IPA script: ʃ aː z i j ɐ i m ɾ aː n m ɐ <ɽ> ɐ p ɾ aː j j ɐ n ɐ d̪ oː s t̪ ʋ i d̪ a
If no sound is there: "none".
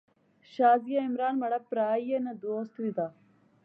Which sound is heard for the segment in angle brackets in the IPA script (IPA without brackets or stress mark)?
ɽ